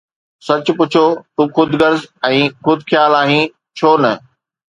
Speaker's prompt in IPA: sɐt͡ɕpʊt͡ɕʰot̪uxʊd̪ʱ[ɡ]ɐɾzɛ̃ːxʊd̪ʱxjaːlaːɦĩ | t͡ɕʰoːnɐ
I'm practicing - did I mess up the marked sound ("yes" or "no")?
no